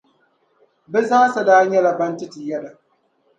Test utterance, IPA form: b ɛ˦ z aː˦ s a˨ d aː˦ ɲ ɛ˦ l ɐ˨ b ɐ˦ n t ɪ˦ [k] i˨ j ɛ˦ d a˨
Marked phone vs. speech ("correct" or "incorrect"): incorrect